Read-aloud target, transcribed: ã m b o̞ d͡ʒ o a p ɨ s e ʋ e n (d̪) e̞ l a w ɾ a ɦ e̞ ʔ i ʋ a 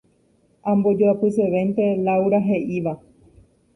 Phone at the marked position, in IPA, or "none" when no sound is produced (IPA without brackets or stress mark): t̪